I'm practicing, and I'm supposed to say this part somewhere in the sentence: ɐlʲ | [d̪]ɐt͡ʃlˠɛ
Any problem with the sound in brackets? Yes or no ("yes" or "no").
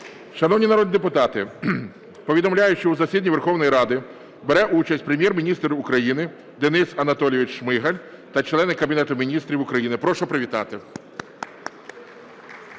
yes